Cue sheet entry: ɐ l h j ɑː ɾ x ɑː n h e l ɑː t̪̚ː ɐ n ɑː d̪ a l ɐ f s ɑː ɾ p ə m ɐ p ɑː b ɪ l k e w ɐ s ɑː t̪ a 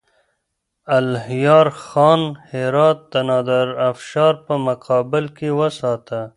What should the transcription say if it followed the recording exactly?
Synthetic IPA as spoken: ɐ l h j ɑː ɾ x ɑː n h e ɾ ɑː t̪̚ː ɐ n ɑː d̪ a ɾ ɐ f ʃ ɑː ɾ p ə m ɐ q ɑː b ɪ l k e w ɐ s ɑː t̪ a